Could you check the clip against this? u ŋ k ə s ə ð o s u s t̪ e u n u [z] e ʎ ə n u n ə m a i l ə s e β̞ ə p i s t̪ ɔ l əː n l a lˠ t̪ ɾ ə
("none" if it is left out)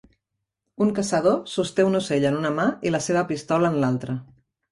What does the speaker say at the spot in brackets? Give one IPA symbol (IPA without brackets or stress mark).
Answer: s